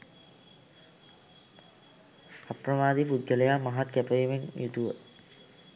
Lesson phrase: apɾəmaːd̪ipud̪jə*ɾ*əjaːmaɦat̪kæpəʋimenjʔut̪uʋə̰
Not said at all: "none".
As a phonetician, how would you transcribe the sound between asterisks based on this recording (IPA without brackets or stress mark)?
l